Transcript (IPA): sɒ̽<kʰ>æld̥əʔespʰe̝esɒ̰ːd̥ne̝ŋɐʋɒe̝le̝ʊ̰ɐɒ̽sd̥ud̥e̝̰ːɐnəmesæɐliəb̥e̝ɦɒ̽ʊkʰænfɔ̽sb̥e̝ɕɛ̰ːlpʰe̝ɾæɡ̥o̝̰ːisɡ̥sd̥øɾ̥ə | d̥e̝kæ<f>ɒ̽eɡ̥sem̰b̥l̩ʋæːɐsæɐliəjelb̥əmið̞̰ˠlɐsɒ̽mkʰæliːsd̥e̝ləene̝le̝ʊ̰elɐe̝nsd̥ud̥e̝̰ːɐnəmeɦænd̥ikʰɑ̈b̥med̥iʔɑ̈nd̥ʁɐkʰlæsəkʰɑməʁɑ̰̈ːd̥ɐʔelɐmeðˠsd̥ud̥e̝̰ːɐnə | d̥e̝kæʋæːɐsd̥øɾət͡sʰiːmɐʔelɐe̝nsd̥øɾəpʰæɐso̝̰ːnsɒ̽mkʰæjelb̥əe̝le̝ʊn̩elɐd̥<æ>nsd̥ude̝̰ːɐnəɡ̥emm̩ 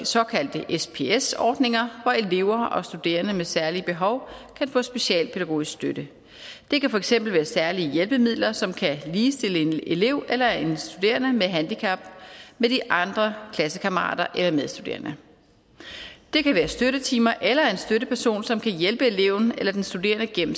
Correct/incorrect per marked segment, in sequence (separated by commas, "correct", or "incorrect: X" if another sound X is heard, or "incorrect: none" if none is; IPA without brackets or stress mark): correct, correct, incorrect: e